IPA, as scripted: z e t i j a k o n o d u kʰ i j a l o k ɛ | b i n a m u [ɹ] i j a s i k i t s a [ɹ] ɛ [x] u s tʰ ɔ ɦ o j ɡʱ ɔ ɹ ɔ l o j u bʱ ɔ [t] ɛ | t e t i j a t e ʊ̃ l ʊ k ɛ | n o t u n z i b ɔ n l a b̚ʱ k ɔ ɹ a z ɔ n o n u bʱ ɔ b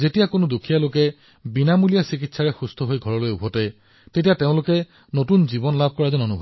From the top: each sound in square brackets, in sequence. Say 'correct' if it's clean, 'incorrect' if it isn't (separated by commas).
incorrect, correct, correct, correct